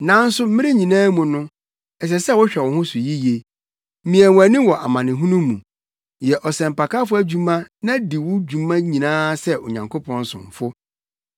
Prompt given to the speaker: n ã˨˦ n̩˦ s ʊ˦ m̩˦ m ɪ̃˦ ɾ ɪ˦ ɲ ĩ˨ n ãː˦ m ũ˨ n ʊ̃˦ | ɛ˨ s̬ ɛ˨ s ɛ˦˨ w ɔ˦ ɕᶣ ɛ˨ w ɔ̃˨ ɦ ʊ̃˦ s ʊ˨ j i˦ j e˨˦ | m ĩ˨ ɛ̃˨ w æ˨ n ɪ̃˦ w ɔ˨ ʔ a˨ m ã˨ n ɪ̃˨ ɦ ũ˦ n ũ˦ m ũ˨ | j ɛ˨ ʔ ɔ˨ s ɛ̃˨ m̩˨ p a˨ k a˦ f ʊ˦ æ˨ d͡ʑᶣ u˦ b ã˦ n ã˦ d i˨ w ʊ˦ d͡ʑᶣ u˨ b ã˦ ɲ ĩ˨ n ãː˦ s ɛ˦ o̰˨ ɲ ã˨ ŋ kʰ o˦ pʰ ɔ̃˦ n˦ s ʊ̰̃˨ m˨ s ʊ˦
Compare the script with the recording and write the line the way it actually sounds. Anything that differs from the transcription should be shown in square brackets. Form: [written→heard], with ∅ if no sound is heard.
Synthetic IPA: n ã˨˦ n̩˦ s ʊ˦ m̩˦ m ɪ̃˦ ɾ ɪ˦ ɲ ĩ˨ n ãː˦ m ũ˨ n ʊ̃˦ | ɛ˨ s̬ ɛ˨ s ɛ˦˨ w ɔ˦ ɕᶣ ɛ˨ w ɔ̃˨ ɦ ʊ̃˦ s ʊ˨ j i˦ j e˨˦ | m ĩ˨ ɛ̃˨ w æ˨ n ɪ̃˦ w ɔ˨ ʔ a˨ m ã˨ n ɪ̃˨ ɦ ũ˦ n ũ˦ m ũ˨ | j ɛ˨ ʔ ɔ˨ s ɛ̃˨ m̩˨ p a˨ k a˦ f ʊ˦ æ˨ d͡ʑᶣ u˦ [b→m] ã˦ n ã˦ d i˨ w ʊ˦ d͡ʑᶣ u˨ [b→m] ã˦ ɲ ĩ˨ n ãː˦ s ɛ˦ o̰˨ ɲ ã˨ ŋ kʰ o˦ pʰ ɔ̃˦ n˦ s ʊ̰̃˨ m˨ [s→f] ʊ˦